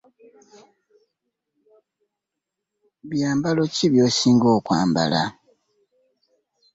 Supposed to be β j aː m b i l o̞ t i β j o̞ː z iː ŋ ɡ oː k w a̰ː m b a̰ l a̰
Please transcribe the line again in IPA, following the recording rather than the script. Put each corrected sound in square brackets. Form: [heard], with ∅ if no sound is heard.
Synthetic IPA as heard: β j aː m b [a] l o̞ [c] i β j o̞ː [s] iː ŋ ɡ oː k w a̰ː m b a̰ l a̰